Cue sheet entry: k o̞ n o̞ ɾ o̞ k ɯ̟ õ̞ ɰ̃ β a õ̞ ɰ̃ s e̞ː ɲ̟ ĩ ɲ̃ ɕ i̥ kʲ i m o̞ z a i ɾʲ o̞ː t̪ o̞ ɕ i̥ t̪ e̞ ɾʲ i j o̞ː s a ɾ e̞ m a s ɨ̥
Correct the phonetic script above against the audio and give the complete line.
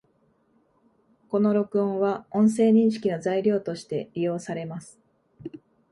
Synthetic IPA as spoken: k o̞ n o̞ ɾ o̞ k ɯ̟ õ̞ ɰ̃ β a õ̞ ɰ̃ s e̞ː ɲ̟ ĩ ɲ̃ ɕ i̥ kʲ i n o̞ z a i ɾʲ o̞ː t̪ o̞ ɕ i̥ t̪ e̞ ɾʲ i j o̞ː s a ɾ e̞ m a s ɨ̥